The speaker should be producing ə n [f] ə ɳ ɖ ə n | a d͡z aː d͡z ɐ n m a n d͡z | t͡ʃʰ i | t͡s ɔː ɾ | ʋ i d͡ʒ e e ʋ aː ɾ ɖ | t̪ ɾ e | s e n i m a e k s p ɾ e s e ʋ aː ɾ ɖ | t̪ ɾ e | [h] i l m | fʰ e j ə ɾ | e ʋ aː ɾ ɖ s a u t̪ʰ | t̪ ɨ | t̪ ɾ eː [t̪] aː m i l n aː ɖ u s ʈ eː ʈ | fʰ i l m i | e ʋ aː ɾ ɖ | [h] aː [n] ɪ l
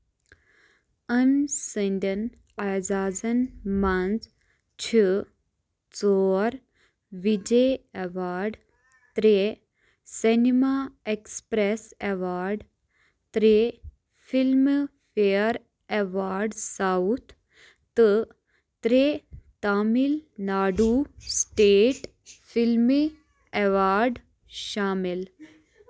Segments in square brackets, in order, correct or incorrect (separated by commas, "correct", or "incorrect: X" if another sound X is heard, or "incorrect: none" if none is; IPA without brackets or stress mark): incorrect: s, incorrect: f, correct, incorrect: ʃ, incorrect: m